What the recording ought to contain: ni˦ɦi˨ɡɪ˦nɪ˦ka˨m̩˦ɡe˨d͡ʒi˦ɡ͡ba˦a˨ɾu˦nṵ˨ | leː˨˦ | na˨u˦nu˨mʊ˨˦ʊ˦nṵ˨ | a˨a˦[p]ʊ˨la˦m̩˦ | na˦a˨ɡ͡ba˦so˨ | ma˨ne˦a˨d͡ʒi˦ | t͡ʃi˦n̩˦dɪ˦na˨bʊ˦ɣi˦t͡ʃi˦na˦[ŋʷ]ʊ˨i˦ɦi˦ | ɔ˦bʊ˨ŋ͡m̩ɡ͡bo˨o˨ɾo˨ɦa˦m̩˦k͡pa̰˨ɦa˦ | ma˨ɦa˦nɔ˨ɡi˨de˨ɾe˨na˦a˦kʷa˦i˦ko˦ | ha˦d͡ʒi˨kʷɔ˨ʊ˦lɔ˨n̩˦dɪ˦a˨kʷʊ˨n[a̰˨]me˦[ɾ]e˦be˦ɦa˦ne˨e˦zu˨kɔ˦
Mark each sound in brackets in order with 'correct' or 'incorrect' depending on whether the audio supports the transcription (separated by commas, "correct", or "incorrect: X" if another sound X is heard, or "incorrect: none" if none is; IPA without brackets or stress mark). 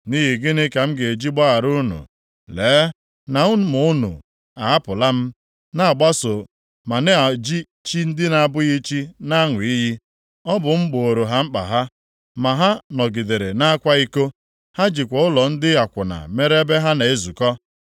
correct, correct, correct, correct